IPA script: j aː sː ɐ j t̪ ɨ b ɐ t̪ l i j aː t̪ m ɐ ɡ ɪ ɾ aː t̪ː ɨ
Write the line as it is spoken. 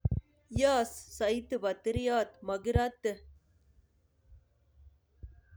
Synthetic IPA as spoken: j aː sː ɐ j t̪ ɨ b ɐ t̪ ɾ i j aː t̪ m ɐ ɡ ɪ ɾ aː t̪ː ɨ